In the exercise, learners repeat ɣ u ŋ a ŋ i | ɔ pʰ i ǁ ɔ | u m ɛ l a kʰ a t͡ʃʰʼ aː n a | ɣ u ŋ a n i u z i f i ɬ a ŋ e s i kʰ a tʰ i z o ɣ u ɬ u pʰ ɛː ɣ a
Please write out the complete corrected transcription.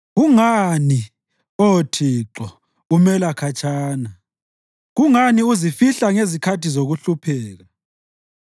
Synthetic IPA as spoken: ɣ u ŋ a n i | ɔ tʰ i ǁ ɔ | u m ɛ l a kʰ a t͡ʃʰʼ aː n a | ɣ u ŋ a n i u z i f i ɬ a ŋ e z i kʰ a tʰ i z o ɣ u ɬ u pʰ ɛː ɣ a